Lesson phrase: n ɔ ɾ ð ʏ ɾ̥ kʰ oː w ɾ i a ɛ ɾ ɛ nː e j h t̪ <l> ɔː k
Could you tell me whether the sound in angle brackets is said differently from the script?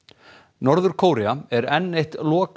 no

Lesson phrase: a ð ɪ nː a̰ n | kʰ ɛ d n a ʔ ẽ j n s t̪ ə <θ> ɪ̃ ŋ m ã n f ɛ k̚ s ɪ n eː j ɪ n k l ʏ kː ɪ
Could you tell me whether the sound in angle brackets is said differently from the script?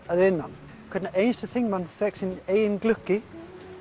no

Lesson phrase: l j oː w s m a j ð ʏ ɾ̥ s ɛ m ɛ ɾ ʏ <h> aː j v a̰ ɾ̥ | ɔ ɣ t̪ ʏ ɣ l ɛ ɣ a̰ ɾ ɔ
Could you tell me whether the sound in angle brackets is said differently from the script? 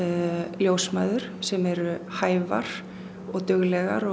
no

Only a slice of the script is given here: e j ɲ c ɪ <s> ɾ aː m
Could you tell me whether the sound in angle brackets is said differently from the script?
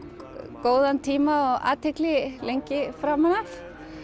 yes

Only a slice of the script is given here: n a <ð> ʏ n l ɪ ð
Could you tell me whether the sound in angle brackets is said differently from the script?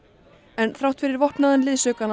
no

